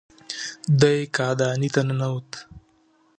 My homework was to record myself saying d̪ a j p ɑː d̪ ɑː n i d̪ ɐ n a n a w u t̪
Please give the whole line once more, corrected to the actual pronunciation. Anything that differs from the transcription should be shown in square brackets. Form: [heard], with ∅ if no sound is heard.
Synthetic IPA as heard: d̪ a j [k] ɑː d̪ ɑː n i [t̪] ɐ n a n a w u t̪